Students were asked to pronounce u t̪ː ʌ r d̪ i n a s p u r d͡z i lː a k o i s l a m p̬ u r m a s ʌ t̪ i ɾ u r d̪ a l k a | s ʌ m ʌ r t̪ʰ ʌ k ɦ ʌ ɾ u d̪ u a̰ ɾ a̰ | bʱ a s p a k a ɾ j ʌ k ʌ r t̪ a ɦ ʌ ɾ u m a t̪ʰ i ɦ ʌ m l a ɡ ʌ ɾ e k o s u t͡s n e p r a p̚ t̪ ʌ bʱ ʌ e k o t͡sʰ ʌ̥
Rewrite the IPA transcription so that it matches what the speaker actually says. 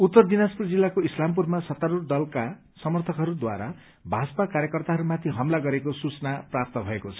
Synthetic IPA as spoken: u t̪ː ʌ r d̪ i n a s p u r d͡z i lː a k o i s l a m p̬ u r m a s ʌ t̪ a ɾ u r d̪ ʌ l k a | s ʌ m ʌ r t̪ʰ ʌ k ɦ ʌ ɾ u d̪ w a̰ ɾ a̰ | bʱ a s p a k a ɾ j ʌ k ʌ r t̪ a ɦ ʌ ɾ u m a t̪ʰ i ɦ ʌ m l a ɡ ʌ ɾ e k o s u t͡s n a p r a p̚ t̪ ʌ bʱ ʌ e k o t͡sʰ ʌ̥